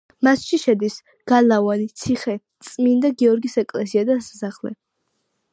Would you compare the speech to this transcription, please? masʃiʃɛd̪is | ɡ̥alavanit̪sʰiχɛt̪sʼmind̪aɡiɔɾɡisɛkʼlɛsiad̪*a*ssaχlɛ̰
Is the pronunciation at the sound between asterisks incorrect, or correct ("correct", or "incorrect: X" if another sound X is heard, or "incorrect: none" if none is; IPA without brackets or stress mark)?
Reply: correct